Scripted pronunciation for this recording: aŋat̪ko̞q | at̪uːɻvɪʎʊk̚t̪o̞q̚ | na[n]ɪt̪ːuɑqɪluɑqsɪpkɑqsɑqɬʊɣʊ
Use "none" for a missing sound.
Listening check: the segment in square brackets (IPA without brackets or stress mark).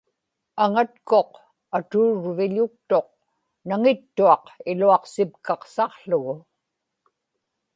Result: ŋ